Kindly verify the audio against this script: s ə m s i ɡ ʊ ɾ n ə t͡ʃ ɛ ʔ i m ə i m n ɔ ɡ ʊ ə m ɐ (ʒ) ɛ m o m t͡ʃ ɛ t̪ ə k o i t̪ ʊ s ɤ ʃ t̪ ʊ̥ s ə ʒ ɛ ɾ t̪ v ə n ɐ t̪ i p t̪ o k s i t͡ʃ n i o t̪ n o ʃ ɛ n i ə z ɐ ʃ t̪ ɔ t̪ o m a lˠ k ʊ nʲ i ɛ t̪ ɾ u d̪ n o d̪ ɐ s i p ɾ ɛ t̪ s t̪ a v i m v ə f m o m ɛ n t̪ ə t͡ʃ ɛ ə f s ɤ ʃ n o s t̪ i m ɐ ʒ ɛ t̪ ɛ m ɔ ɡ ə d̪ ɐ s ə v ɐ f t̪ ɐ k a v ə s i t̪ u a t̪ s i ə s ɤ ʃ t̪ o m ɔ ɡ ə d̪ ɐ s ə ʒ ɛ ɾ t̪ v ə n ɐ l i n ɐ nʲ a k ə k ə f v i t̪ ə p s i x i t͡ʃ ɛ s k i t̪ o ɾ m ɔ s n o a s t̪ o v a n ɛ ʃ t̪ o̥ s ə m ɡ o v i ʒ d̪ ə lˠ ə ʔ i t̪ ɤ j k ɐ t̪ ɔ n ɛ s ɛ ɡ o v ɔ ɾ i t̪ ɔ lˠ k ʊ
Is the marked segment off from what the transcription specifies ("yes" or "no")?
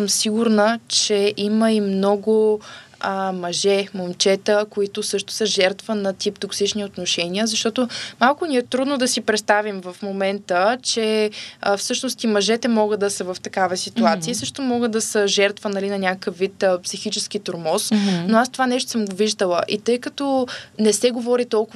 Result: no